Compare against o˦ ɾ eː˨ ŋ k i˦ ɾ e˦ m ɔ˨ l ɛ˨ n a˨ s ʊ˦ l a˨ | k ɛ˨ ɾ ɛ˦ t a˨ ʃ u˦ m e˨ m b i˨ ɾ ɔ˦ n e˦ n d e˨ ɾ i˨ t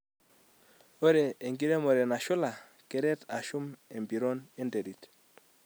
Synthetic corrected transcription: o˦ ɾ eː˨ ŋ ɡ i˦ ɾ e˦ m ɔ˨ ɾ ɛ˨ n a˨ ʃ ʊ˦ l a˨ | k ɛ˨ ɾ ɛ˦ t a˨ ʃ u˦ m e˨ m b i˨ ɾ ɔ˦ n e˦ n d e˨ ɾ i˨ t